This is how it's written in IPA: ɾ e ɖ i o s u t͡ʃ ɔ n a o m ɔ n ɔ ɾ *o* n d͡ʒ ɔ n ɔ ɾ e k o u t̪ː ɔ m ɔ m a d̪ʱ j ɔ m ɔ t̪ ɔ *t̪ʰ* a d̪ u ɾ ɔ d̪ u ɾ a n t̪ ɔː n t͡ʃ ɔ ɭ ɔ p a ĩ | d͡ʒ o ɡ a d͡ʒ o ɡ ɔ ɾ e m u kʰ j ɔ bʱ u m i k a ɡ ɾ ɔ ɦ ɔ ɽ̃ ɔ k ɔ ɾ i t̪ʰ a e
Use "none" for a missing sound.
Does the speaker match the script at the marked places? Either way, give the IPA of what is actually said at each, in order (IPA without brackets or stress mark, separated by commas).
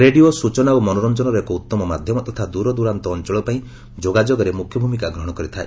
ɔ, t̪ʰ